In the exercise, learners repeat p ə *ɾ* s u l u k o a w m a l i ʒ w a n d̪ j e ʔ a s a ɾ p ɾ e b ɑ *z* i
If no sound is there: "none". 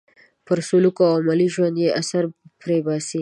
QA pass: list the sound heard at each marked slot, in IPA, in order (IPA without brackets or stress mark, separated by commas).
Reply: ɾ, s